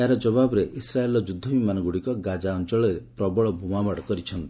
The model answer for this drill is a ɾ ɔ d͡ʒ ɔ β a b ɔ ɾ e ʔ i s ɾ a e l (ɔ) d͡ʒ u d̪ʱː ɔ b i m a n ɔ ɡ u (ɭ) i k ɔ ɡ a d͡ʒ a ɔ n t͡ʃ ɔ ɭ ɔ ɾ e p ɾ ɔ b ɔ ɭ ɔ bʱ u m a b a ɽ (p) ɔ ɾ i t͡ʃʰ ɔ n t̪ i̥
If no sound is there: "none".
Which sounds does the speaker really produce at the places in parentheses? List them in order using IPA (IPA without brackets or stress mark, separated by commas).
ɔ, ɽ, k